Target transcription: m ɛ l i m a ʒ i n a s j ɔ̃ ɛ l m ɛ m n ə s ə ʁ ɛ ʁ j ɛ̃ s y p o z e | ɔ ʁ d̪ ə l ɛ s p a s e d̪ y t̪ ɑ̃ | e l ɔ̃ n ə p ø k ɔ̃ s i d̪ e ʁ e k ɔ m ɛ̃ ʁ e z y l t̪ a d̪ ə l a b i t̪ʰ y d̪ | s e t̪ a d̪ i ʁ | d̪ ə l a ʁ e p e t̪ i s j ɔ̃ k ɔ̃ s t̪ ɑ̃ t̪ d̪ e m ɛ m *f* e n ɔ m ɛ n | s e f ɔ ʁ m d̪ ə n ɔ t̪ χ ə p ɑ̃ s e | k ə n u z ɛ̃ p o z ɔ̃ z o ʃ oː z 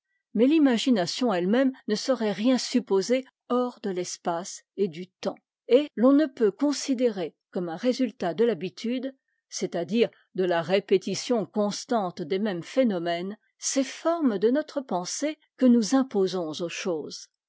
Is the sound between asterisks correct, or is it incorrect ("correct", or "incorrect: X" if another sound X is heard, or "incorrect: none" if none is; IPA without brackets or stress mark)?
correct